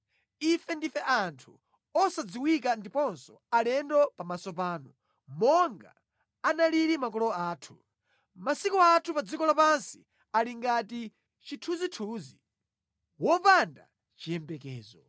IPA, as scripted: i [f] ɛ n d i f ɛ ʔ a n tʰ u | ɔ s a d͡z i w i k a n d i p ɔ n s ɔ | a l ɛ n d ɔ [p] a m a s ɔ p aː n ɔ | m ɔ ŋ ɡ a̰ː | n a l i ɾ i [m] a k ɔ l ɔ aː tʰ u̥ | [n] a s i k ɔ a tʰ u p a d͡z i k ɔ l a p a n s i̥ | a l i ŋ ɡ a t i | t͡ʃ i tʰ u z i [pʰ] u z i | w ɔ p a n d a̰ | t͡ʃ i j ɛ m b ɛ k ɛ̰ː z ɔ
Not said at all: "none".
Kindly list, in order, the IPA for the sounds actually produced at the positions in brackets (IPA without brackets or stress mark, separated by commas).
f, p, m, m, tʰ